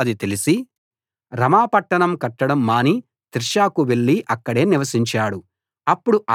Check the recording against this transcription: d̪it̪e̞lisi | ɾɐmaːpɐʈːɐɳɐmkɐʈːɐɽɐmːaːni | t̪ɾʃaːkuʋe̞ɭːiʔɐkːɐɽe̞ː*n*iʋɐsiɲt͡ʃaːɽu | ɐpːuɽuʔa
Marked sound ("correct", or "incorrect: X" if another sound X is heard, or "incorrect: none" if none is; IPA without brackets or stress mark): correct